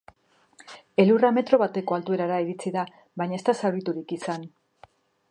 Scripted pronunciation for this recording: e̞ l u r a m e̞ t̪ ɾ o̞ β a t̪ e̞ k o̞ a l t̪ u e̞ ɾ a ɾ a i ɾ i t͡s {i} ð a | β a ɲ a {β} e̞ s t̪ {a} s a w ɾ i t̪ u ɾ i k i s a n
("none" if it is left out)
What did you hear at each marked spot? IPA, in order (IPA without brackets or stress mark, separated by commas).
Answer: i, none, a